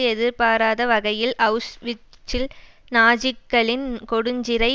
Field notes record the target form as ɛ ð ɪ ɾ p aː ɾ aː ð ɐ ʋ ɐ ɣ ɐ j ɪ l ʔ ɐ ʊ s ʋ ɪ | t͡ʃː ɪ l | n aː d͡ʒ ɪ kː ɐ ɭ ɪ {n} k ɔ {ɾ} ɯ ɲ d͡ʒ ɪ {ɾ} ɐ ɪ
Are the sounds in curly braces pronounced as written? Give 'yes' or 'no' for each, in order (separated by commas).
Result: yes, no, yes